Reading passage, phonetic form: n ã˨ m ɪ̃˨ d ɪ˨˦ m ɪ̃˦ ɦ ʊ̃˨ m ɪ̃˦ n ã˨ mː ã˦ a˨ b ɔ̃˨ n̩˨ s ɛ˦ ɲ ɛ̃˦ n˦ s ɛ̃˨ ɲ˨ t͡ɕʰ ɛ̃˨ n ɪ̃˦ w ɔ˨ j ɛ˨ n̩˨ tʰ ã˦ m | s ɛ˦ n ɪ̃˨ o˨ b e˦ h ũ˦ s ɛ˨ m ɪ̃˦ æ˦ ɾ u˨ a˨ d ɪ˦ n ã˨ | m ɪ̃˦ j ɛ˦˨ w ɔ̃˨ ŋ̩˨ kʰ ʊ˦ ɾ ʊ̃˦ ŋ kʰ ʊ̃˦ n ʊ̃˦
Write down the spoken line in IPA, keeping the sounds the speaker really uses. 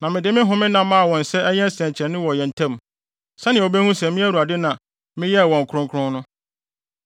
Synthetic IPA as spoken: n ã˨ m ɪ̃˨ d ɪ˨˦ m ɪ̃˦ ɦ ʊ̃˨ m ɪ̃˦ n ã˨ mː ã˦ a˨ w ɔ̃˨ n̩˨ s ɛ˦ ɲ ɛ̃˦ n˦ s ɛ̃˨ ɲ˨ t͡ɕʰ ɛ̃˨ n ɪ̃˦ w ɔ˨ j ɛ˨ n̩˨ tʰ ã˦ m | s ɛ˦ n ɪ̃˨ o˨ b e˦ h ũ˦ s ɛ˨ m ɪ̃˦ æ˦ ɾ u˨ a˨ d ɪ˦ n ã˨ | m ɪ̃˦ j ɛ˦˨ w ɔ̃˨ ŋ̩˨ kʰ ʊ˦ ɾ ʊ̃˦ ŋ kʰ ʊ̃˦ n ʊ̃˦